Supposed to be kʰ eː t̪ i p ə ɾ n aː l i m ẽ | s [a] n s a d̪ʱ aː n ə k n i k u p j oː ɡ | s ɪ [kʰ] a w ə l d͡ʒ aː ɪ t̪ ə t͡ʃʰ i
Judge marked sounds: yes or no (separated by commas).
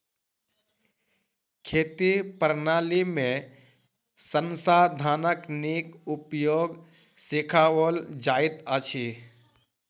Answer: no, yes